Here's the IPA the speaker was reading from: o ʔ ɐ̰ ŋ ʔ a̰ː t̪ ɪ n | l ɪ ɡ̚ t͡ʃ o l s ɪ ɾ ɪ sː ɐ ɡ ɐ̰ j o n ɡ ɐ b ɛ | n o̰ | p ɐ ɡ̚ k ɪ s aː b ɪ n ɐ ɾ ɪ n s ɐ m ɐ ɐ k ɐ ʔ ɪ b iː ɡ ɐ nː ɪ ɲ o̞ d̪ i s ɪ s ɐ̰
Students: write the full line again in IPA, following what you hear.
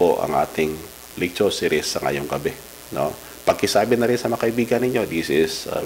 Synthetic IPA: o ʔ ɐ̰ ŋ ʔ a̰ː t̪ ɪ ŋ | l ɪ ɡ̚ t͡ʃ o s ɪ ɾ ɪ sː ɐ ŋ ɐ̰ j o ŋ ɡ ɐ b ɛ | n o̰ | p ɐ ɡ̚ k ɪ s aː b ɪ n ɐ ɾ ɪ n s ɐ m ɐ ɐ k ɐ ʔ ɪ b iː ɡ ɐ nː ɪ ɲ o̞ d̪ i s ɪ s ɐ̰